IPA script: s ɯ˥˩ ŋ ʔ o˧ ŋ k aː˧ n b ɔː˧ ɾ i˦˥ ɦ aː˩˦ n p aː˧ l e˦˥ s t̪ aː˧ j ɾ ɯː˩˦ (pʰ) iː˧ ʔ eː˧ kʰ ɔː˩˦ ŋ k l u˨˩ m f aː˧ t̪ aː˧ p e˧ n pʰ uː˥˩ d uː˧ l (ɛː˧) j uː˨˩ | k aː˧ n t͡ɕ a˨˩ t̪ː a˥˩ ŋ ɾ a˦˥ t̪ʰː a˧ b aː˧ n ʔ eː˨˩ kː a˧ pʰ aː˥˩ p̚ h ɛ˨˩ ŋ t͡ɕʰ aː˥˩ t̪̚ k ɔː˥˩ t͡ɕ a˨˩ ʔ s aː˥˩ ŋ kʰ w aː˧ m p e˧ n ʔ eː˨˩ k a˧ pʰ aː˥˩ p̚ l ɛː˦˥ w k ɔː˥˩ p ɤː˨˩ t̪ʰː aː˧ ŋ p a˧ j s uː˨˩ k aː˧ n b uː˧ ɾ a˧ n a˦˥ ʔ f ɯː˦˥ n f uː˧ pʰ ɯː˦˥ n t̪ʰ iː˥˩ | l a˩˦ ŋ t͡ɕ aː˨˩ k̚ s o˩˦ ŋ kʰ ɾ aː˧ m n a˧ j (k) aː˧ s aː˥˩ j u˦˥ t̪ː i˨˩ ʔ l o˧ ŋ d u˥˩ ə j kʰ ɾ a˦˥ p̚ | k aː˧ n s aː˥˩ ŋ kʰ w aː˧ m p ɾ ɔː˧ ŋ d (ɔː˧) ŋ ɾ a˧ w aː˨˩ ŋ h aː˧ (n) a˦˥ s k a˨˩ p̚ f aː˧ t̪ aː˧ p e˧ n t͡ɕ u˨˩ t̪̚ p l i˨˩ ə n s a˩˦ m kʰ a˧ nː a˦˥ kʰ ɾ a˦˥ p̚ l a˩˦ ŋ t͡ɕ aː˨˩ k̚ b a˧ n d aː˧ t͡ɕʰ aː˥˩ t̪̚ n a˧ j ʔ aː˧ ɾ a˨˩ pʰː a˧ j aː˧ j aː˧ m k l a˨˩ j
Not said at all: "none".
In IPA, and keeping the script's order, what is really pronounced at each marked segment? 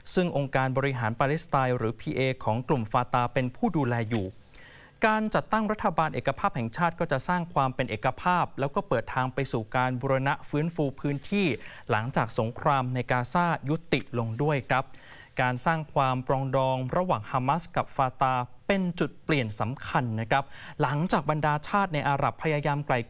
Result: pʰ, ɛː˧, k, ɔː˧, m

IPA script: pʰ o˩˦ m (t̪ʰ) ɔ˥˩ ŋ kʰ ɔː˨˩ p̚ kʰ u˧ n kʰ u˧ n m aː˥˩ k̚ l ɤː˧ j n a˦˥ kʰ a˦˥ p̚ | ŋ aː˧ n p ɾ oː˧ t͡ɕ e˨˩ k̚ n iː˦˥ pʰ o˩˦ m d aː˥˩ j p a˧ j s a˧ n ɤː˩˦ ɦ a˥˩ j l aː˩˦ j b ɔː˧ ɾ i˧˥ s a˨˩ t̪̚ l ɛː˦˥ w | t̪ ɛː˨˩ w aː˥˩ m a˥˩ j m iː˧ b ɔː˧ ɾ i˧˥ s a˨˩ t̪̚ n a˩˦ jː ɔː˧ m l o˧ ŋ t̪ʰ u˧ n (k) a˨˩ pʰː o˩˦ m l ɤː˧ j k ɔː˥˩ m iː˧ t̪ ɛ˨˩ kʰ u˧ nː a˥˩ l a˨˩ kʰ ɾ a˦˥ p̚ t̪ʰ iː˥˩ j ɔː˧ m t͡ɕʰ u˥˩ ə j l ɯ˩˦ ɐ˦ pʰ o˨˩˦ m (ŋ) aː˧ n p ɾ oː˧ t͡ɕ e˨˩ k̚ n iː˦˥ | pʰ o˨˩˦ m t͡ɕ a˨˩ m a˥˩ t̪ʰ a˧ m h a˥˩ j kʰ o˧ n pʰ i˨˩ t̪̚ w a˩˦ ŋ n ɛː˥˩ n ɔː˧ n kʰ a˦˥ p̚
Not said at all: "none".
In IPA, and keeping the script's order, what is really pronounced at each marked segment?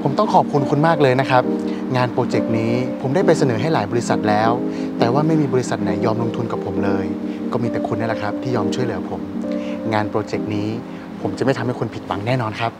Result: t̪, k, ŋ

